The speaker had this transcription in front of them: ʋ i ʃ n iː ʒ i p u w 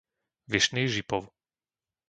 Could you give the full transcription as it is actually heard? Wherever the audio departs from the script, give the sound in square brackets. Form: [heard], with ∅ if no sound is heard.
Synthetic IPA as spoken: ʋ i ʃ n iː ʒ i p [ɔ] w